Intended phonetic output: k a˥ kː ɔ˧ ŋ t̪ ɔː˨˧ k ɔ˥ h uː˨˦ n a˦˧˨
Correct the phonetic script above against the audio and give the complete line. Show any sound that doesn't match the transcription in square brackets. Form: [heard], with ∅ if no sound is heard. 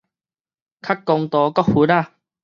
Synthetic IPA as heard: [kʰ] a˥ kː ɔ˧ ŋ t̪ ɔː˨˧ k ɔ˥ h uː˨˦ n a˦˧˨